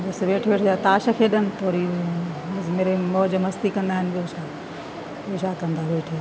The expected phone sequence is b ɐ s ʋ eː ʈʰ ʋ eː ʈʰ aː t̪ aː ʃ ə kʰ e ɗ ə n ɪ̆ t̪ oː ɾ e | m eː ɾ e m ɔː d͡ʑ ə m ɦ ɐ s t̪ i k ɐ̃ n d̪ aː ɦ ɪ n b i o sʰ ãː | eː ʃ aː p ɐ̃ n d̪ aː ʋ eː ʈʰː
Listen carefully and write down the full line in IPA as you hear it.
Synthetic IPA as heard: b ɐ s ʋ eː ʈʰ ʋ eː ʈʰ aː t̪ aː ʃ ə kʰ e ɗ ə n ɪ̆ t̪ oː ɾ i | m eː ɾ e m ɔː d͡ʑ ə m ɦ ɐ s t̪ i k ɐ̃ n d̪ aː ɦ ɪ n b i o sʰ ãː | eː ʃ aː k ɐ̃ n d̪ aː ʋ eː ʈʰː